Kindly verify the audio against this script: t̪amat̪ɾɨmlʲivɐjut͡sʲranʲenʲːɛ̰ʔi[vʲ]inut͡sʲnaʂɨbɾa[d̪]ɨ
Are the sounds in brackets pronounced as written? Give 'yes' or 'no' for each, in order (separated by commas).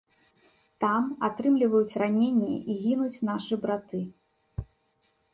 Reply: no, no